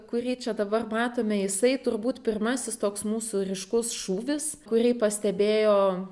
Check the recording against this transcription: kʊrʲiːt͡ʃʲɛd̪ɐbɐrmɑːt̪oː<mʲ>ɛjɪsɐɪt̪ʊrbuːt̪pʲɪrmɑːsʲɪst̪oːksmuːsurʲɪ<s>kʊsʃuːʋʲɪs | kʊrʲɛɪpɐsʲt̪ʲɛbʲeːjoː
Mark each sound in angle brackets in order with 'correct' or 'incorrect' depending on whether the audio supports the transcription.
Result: correct, incorrect: ʃ

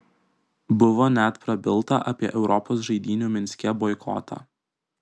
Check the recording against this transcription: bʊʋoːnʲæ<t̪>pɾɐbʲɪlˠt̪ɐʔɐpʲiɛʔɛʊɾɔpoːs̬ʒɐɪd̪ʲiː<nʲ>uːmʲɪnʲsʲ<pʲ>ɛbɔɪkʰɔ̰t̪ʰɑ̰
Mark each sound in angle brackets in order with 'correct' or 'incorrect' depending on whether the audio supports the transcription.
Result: correct, correct, incorrect: kʲ

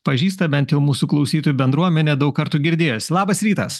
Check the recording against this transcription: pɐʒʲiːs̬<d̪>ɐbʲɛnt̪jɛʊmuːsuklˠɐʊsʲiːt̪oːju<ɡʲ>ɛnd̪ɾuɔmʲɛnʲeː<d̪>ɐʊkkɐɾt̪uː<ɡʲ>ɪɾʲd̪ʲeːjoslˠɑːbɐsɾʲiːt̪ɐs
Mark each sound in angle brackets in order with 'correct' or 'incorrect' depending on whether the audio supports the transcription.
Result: incorrect: t̪, incorrect: bʲ, correct, correct

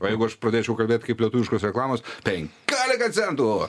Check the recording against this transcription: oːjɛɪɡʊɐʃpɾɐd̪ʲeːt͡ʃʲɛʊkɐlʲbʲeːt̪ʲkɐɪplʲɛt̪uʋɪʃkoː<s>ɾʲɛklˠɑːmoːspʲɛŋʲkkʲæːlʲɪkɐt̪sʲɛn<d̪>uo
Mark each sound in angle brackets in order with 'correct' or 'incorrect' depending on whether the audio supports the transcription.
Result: correct, incorrect: t̪

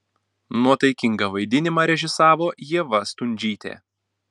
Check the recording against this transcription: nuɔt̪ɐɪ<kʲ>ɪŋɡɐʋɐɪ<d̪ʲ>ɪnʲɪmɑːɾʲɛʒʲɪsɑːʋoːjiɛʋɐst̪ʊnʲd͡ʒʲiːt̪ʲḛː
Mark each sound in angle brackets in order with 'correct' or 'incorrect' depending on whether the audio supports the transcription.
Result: correct, correct

